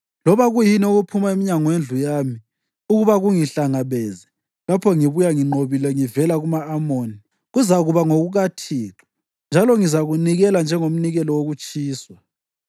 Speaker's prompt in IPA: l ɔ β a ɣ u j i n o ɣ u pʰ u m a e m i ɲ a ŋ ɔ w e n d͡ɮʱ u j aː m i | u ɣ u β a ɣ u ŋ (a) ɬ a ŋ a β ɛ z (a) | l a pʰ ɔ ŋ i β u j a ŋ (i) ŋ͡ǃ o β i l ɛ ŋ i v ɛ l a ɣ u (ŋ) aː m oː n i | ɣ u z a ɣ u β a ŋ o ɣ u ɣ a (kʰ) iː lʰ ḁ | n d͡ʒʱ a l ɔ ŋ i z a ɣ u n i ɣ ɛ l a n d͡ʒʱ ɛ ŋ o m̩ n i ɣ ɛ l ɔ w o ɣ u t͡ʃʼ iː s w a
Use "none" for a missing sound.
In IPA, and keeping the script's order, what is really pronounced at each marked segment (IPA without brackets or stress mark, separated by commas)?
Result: i, ɛ, i, m, tʰ